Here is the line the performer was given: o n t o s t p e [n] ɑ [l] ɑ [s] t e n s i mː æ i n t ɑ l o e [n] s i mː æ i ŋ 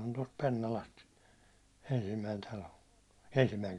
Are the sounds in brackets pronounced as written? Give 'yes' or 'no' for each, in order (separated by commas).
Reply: no, yes, yes, yes